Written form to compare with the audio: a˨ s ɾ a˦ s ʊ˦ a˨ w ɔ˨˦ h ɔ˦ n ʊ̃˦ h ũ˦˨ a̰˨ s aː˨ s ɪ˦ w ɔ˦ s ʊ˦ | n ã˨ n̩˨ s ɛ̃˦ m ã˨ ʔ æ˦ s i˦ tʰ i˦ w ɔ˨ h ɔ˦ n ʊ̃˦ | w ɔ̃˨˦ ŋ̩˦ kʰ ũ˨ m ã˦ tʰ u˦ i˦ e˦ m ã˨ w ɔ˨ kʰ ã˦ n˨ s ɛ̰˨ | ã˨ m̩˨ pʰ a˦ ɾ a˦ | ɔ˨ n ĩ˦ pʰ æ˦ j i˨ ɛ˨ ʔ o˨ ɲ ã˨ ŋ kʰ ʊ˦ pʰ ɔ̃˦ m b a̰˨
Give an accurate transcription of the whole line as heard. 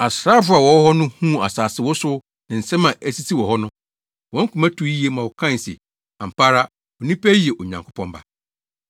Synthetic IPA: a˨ s ɾ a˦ f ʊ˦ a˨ w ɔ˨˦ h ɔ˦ n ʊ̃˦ h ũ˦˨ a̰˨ s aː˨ s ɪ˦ w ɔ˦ s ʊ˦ | n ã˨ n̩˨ s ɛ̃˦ m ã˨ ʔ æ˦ s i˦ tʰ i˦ w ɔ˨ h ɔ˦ n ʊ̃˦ | w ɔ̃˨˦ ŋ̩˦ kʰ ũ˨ m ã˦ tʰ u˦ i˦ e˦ m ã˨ w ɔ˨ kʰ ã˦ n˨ s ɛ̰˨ | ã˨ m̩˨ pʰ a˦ ɾ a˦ | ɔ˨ n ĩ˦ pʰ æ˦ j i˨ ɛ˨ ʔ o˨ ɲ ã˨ ŋ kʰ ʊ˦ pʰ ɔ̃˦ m b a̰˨